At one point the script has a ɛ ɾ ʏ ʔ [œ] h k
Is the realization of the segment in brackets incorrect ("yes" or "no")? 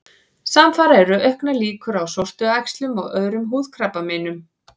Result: no